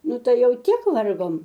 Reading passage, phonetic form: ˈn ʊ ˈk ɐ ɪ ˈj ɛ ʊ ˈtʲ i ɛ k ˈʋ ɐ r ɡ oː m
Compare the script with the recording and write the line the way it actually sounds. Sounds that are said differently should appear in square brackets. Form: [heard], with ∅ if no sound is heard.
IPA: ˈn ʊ [ˈt] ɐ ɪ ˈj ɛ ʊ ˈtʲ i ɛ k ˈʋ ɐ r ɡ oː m